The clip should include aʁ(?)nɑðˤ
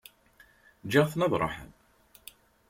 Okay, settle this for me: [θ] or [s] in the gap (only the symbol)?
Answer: θ